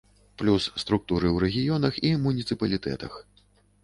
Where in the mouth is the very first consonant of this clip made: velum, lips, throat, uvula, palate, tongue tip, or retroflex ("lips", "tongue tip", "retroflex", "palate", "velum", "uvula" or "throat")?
lips